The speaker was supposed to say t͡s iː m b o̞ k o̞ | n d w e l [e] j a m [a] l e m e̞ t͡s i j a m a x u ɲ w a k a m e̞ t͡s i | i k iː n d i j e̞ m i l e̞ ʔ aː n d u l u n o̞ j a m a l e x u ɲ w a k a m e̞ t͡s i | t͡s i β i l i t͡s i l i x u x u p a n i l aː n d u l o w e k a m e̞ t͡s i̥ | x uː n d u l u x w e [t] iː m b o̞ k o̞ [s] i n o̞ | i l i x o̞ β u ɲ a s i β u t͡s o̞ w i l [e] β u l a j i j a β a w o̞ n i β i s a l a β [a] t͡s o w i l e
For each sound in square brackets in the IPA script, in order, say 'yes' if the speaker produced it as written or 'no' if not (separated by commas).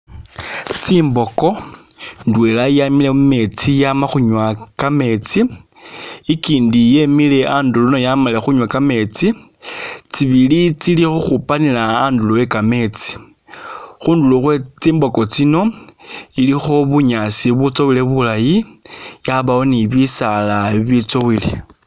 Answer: no, no, no, no, yes, no